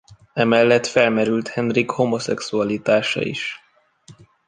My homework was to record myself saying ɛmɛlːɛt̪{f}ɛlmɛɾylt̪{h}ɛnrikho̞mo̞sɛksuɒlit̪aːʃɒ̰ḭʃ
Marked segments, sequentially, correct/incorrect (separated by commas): correct, correct